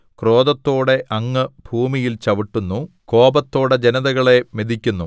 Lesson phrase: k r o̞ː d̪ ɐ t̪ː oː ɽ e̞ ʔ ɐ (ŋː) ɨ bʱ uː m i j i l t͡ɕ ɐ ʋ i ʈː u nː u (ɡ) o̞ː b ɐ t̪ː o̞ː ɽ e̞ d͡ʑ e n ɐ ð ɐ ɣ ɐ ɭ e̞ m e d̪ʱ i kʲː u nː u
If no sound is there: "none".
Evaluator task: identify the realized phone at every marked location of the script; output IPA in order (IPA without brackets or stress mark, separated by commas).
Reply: ŋː, k